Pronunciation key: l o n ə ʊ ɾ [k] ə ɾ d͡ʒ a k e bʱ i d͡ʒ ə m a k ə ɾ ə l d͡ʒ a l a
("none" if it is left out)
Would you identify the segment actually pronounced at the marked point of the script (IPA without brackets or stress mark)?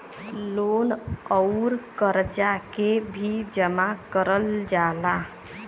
k